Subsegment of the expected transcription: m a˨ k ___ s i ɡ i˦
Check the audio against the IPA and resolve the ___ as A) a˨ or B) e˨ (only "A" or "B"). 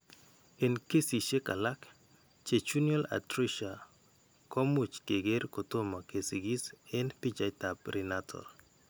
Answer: B